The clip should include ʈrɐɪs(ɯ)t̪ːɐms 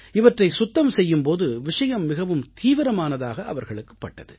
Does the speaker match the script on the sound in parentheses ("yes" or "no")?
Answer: no